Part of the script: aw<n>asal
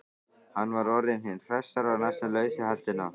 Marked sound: correct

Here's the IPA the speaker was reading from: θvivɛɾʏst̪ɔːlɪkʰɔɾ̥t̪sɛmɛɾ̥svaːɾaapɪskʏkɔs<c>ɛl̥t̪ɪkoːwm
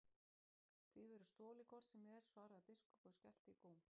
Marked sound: correct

